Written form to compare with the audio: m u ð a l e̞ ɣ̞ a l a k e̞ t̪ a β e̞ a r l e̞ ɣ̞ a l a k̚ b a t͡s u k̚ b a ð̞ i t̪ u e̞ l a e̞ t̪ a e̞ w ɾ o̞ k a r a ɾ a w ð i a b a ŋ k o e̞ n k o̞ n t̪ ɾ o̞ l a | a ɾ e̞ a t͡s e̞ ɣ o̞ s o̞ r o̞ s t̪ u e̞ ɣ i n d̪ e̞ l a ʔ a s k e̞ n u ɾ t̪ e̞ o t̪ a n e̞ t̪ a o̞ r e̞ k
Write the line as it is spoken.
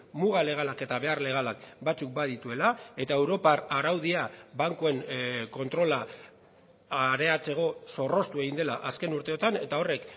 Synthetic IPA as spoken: m u ɣ a l e̞ ɣ̞ a l a k e̞ t̪ a β e̞ a r l e̞ ɣ̞ a l a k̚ b a t͡s u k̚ b a ð̞ i t̪ u e̞ l a e̞ t̪ a e̞ w ɾ o̞ p a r a ɾ a w ð i a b a ŋ k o e̞ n k o̞ n t̪ ɾ o̞ l a | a ɾ e̞ a t͡s e̞ ɣ o̞ s o̞ r o̞ s t̪ u e̞ ɣ i n d̪ e̞ l a ʔ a s k e̞ n u ɾ t̪ e̞ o t̪ a n e̞ t̪ a o̞ r e̞ k